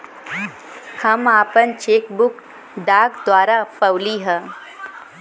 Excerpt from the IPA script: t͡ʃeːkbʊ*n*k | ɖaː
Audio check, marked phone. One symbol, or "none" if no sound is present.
none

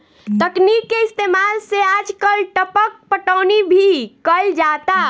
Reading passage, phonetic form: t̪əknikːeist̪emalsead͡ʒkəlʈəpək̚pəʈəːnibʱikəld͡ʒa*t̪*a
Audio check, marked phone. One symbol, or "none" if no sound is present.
t̪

